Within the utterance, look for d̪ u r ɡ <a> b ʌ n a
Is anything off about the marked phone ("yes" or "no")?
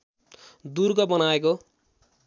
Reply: yes